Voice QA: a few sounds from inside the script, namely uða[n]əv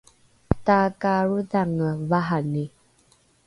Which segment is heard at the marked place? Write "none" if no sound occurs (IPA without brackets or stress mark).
ŋ